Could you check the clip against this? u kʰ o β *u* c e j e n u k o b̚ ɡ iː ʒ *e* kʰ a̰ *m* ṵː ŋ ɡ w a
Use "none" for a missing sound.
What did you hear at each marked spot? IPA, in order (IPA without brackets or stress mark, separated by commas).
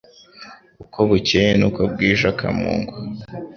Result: u, a, m